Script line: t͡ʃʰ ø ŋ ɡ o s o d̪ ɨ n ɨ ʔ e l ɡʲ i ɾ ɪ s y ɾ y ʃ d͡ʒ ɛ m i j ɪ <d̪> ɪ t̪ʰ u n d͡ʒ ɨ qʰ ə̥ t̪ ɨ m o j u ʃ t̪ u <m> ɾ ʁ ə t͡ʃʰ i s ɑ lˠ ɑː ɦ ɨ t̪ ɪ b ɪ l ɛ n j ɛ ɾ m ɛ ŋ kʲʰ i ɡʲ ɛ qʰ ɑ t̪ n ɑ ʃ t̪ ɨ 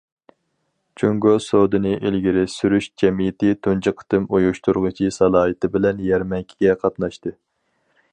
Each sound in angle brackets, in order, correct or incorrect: incorrect: t̪, incorrect: none

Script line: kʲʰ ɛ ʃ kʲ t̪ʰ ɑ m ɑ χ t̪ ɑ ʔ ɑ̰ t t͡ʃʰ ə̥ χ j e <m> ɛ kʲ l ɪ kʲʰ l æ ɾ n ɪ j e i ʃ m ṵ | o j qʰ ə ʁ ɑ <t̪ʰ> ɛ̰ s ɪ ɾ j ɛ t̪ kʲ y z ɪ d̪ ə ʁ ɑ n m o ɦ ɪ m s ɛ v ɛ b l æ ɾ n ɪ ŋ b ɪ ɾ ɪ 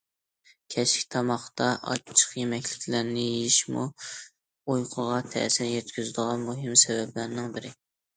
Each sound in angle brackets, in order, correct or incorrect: correct, correct

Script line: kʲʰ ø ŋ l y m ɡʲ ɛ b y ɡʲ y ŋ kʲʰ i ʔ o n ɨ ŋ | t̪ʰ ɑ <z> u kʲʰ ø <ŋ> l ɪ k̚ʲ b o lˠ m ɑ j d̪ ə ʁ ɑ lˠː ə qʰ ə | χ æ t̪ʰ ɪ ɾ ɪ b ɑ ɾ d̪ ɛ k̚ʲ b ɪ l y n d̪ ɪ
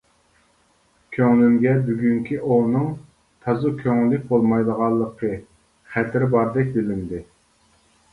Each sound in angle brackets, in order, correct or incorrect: correct, correct

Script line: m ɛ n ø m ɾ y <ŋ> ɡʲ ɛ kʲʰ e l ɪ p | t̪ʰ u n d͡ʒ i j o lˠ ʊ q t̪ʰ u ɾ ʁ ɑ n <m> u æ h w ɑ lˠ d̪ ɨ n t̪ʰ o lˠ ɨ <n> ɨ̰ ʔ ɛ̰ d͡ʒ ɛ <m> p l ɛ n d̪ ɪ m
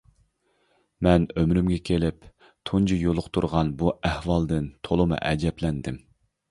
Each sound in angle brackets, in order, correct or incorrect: incorrect: m, incorrect: b, incorrect: m, incorrect: none

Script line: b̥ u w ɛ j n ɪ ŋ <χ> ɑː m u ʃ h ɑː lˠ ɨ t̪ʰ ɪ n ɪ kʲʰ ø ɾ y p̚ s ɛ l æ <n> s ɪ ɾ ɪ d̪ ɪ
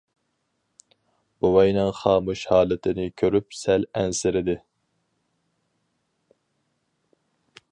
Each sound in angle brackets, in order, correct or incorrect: correct, correct

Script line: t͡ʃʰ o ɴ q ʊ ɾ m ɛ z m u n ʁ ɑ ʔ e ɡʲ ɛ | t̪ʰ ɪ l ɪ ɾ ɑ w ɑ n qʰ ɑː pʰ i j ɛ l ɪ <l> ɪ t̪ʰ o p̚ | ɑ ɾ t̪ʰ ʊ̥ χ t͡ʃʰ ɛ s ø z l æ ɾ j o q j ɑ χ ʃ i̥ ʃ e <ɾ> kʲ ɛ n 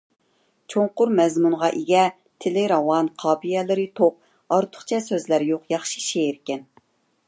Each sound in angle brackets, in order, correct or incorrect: incorrect: ɾ, correct

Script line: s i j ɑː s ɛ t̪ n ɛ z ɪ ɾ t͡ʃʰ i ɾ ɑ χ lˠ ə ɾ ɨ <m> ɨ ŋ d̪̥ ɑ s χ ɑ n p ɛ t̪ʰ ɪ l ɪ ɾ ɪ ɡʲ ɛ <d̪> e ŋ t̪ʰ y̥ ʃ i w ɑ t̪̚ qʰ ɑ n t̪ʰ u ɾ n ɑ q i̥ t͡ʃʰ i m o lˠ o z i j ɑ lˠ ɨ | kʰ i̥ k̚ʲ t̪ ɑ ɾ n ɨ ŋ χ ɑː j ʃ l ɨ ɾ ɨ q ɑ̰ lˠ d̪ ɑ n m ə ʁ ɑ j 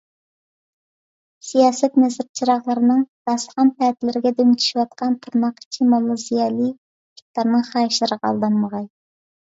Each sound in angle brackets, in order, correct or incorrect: incorrect: n, correct

